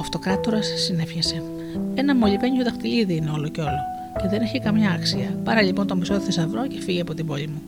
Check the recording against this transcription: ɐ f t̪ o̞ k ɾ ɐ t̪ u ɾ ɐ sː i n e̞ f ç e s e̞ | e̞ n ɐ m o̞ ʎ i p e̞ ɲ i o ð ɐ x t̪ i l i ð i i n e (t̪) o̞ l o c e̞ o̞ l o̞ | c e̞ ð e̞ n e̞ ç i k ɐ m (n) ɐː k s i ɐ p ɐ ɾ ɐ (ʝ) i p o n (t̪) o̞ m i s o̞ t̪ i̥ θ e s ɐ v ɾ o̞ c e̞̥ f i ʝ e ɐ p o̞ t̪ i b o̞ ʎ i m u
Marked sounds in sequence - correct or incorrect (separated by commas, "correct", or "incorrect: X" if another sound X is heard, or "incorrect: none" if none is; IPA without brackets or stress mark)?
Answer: incorrect: none, incorrect: ɲ, incorrect: ʎ, correct